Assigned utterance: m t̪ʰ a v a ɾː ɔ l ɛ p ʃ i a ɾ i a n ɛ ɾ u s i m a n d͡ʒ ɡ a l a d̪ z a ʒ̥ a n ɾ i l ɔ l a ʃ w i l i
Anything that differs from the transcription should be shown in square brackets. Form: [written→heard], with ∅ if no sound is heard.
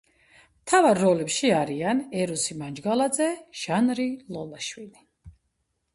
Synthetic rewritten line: m t̪ʰ a v a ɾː ɔ l ɛ p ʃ i a ɾ i a n ɛ ɾ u s i m a n d͡ʒ ɡ a l a d̪ z [a→ɛ] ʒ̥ a n ɾ i l ɔ l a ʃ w i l i